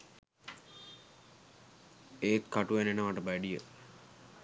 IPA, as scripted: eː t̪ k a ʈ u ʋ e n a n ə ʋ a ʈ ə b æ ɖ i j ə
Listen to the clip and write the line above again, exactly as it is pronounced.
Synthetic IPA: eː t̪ k a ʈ u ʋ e n e n ə ʋ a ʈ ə b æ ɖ i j ə